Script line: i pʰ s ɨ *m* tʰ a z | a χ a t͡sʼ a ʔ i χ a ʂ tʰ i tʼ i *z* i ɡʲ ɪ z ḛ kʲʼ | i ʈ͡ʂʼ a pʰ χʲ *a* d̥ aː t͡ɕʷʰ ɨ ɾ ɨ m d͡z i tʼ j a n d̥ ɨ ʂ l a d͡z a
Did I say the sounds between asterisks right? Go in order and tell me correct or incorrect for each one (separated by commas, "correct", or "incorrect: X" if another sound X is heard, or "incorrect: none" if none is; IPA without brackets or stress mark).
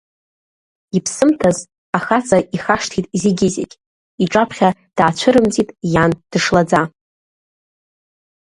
correct, correct, correct